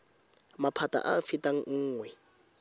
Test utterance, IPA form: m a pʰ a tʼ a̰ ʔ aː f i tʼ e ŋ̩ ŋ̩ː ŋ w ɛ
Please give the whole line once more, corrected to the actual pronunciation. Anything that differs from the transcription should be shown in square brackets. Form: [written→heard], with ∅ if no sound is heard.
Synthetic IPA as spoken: m a pʰ a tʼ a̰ ʔ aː f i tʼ [e→a] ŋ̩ ŋ̩ː ŋ w ɛ